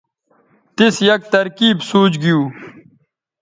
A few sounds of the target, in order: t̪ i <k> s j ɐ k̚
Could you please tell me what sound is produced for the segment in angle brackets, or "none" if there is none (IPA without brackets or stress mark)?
none